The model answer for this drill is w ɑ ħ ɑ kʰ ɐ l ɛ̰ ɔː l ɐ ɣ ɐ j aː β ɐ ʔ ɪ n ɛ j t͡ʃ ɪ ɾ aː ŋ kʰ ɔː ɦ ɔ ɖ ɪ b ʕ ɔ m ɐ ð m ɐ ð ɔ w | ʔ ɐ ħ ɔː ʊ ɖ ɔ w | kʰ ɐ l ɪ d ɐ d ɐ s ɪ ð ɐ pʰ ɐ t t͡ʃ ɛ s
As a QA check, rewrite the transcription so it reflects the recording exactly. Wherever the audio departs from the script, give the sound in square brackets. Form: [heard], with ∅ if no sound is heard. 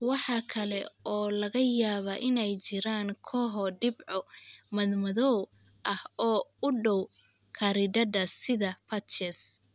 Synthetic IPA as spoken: w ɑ ħ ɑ kʰ ɐ l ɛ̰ ɔː l ɐ ɣ ɐ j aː β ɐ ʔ ɪ n ɛ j t͡ʃ ɪ ɾ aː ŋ kʰ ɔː ɦ ɔ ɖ ɪ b ʕ ɔ m ɐ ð m ɐ ð ɔ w | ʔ ɐ [h] ɔː ʊ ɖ ɔ w | kʰ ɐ [ɾ] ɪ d ɐ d ɐ s ɪ ð ɐ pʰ ɐ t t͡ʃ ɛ s